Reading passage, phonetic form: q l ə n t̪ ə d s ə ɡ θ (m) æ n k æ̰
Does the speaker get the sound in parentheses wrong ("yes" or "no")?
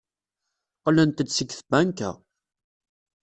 yes